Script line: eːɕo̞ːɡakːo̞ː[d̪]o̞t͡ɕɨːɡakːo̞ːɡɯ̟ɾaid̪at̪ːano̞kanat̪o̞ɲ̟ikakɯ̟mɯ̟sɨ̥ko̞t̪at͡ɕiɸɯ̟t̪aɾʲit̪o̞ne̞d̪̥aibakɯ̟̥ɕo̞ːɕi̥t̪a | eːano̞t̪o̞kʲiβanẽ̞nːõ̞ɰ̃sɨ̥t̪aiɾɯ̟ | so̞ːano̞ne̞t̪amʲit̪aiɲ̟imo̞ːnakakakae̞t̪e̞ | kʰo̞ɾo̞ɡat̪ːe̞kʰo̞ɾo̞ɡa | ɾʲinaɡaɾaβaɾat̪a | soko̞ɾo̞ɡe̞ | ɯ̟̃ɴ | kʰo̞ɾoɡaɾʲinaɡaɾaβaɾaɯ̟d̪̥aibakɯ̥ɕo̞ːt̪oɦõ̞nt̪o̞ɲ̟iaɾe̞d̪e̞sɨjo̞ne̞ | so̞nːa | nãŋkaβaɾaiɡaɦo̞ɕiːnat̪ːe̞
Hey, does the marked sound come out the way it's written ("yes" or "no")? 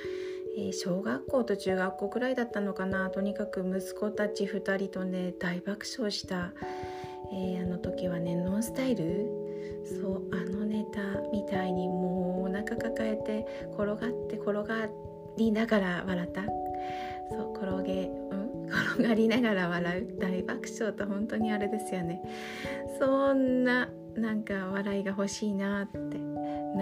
no